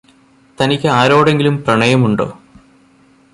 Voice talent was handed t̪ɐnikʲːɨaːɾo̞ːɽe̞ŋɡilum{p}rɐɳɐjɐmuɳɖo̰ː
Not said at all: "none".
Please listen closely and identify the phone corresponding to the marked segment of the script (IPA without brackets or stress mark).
p